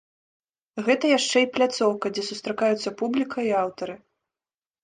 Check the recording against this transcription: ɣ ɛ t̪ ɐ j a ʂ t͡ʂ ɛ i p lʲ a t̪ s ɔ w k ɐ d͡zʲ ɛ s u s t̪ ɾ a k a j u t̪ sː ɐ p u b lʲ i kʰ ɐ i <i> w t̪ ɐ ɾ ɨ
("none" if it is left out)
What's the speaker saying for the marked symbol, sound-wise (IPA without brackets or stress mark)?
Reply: a